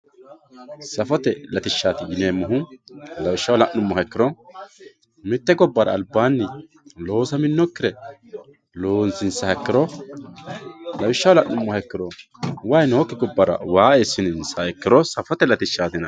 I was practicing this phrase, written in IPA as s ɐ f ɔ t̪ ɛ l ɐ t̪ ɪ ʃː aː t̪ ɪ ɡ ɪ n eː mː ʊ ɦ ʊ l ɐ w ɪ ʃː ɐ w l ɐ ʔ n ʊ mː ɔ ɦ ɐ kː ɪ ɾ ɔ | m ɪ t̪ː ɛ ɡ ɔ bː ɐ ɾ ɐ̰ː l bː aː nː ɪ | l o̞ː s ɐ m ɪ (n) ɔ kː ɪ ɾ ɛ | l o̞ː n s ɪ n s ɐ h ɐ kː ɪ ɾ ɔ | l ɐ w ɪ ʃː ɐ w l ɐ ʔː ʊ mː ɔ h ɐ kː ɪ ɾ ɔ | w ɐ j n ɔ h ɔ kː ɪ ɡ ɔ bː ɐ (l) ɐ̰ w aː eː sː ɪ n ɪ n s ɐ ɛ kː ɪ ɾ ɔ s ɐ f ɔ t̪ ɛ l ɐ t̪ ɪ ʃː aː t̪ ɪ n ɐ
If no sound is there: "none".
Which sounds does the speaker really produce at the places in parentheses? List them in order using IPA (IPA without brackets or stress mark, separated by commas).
nː, ɾ